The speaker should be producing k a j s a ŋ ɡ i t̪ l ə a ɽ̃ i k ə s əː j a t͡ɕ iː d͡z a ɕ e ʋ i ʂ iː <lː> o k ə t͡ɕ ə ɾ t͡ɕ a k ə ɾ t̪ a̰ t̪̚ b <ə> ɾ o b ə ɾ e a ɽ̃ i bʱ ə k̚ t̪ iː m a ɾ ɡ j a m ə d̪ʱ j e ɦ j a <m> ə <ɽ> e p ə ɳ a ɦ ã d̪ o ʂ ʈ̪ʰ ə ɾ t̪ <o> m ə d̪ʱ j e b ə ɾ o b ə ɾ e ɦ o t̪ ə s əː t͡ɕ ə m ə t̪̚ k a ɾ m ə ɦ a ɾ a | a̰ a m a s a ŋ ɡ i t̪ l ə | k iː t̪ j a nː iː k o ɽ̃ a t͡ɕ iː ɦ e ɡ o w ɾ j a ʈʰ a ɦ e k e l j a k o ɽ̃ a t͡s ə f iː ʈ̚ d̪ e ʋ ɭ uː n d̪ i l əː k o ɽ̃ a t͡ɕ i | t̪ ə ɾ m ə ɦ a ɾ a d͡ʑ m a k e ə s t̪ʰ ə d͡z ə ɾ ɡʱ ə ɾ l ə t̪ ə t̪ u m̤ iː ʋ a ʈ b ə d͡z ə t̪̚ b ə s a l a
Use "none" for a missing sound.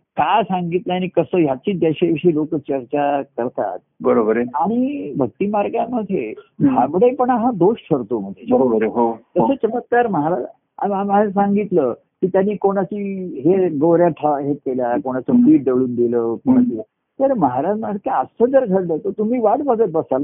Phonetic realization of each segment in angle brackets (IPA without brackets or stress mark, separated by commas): l, ə, b, ɽ, o